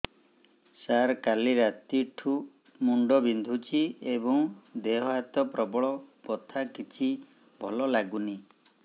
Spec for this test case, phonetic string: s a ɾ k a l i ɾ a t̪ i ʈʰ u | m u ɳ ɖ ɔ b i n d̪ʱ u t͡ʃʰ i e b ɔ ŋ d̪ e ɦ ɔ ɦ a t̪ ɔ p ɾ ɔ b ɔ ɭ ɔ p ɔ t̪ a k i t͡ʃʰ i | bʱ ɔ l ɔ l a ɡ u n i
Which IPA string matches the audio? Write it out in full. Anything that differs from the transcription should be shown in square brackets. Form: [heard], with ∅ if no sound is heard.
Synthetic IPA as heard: s a ɾ k a l i ɾ a t̪ i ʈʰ u | m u ɳ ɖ ɔ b i n d̪ʱ u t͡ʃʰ i e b ɔ ŋ d̪ e ɦ ɔ ɦ a t̪ ɔ p ɾ ɔ b ɔ ɭ ɔ p ɔ [t̪ʰ] a k i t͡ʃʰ i | bʱ ɔ l ɔ l a ɡ u n i